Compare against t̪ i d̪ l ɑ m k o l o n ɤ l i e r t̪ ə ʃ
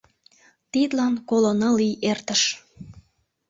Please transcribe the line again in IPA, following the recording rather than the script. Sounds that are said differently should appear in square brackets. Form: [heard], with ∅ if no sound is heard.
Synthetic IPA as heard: t̪ i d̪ l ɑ [n] k o l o n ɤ l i e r t̪ ə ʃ